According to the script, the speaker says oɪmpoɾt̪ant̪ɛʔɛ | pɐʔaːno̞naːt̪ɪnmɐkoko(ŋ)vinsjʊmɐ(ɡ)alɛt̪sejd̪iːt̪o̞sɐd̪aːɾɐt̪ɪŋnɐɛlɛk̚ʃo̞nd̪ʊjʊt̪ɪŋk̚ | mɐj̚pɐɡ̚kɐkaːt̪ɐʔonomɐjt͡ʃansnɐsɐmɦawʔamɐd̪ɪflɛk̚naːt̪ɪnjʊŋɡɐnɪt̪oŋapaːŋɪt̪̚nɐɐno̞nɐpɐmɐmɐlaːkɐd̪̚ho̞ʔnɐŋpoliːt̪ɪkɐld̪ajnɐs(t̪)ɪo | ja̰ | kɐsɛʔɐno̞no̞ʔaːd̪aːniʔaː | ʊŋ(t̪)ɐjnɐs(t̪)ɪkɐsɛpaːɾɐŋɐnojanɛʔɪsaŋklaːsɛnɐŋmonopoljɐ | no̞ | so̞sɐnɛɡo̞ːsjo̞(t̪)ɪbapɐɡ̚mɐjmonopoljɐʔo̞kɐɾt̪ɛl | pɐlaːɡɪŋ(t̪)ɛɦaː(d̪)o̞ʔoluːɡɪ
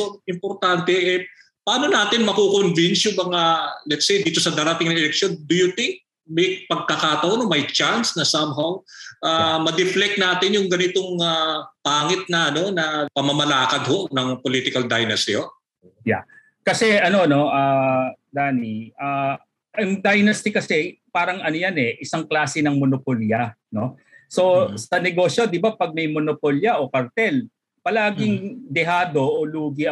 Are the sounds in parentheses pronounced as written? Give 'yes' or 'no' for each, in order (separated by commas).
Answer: no, no, yes, no, yes, no, no, yes